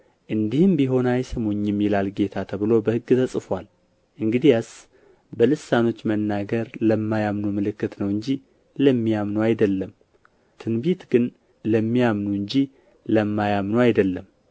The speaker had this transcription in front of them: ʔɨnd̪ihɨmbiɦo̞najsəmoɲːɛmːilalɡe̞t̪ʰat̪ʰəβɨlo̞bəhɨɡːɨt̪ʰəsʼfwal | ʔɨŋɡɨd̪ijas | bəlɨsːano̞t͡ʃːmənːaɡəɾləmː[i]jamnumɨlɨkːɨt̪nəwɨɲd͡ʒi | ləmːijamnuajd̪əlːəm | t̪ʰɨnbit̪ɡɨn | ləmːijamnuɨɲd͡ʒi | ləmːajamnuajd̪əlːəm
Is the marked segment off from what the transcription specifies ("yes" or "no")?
yes